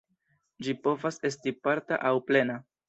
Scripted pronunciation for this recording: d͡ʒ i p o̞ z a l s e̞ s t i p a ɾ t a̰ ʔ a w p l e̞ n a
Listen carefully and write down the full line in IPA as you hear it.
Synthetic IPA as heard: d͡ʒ i p o̞ v a s e̞ s t i p a ɾ t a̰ ʔ a w p l e̞ n a